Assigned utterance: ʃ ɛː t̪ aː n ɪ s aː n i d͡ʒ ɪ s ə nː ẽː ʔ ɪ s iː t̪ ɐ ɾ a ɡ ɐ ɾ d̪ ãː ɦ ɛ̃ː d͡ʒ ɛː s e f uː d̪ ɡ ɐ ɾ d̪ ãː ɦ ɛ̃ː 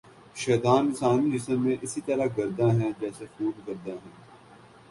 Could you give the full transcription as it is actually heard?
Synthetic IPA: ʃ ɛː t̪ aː n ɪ s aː n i d͡ʒ ɪ s ə mː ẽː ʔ ɪ s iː t̪ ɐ ɾ a ɡ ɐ ɾ d̪ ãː ɦ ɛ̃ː d͡ʒ ɛː s e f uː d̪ ɡ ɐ ɾ d̪ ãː ɦ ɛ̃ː